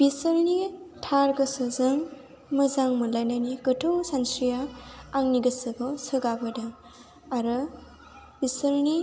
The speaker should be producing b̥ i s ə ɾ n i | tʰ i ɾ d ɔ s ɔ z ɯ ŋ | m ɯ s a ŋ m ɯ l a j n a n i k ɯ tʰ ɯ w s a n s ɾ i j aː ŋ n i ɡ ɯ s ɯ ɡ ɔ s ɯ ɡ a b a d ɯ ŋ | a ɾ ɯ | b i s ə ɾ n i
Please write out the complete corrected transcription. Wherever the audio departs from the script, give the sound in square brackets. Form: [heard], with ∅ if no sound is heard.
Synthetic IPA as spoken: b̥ i s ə ɾ n i | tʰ [a] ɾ [ɡ] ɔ s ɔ z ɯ ŋ | m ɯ [z] a ŋ m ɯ l a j n a n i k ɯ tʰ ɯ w s a n s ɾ i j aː ŋ n i ɡ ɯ s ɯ ɡ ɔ s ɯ ɡ a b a d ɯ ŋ | a ɾ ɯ | b i s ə ɾ n i